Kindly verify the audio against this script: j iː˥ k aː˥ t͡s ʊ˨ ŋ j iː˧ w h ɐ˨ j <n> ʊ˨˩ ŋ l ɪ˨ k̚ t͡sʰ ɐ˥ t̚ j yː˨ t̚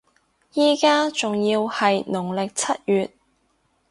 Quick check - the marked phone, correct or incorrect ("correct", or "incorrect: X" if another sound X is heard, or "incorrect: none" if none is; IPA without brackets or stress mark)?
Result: correct